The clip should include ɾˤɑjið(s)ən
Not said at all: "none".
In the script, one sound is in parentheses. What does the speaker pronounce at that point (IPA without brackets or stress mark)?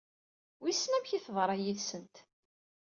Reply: s